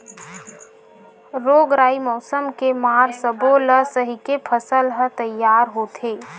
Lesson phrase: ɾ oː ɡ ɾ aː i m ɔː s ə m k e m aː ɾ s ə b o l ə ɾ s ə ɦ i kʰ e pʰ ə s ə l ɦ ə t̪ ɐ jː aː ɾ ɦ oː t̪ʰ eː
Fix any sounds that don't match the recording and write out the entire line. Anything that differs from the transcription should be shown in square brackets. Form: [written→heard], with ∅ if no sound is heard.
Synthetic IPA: ɾ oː ɡ ɾ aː i m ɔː s ə m k e m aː ɾ s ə b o l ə [ɾ→∅] s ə ɦ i [kʰ→k] e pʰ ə s ə l ɦ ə t̪ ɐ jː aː ɾ ɦ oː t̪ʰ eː